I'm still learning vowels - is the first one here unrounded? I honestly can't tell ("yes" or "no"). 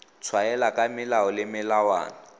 yes